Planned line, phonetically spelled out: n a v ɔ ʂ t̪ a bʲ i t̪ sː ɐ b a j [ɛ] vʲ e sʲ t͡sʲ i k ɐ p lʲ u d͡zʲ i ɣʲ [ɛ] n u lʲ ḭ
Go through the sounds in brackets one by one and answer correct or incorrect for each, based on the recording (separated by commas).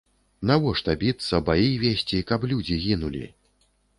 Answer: incorrect, incorrect